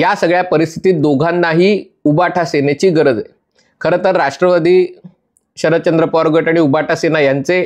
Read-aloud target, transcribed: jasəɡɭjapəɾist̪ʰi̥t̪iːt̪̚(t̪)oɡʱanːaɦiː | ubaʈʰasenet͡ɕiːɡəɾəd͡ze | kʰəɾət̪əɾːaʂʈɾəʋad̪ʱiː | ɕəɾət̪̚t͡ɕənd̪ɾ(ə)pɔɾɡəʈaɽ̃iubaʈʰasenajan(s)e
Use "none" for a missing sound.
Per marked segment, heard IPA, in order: d̪, ə, t͡s

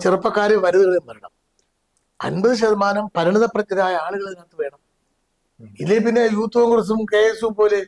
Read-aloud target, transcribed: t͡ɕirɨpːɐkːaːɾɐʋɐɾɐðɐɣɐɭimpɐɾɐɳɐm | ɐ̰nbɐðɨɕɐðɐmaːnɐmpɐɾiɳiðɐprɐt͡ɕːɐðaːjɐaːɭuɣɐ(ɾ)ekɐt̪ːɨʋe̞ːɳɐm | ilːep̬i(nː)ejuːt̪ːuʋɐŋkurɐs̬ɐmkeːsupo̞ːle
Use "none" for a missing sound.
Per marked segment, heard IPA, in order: ɭ, nː

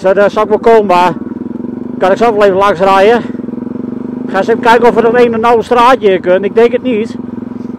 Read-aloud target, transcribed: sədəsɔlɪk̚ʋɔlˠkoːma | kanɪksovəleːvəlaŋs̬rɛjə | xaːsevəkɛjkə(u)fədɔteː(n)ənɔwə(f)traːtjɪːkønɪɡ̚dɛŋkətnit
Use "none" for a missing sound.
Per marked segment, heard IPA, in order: ɔ, n, s

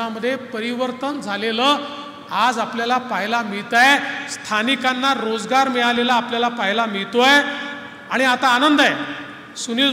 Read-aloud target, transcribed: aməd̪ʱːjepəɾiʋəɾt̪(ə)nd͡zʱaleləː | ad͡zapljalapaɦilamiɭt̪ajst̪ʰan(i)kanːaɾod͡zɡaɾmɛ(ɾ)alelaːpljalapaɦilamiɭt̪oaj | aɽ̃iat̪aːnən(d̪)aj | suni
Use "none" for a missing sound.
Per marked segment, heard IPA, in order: ə, i, ɭ, d̪

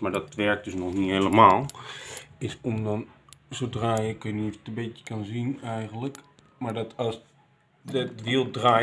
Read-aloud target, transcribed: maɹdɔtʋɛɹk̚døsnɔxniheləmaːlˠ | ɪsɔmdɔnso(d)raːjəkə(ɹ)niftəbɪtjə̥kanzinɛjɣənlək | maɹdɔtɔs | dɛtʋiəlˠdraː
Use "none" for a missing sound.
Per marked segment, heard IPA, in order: d, none

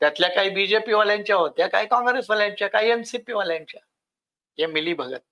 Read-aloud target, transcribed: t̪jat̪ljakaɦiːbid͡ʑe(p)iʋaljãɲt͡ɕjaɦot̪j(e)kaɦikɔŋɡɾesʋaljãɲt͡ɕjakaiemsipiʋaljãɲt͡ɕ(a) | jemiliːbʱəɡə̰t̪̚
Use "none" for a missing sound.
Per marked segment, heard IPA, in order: p, a, a

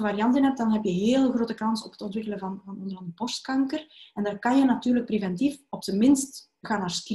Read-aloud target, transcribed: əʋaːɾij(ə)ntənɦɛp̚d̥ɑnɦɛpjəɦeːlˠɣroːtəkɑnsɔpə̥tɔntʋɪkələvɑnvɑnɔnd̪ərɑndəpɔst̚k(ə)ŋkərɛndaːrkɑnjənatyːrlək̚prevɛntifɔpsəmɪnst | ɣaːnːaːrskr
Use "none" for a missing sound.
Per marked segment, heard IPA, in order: ɑ, ɑ

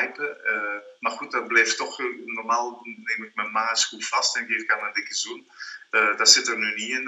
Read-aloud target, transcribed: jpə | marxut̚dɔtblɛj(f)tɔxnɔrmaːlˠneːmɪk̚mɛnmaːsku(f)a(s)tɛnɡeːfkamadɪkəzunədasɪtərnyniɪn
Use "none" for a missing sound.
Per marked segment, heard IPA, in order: f, f, s

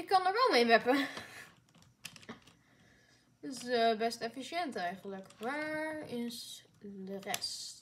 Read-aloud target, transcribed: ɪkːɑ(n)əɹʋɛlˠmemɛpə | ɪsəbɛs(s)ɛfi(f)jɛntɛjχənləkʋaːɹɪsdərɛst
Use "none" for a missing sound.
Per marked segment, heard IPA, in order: n, t, ʃ

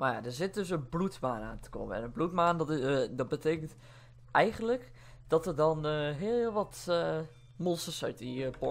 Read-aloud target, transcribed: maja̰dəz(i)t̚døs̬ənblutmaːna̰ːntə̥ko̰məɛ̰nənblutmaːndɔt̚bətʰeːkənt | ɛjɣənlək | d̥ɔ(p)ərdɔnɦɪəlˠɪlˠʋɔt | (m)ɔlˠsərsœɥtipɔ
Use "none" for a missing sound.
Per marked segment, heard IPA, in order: ɪ, t, m

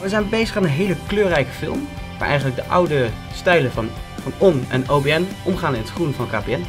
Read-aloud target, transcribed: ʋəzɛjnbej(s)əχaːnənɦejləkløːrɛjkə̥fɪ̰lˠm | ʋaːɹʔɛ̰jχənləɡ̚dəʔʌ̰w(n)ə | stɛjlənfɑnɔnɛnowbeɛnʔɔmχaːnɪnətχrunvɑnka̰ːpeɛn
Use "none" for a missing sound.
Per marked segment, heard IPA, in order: z, d

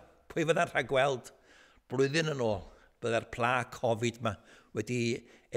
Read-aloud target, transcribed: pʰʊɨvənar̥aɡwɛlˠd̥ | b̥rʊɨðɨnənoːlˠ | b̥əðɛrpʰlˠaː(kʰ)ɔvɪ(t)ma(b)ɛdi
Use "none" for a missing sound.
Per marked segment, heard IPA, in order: kʰ, d, w

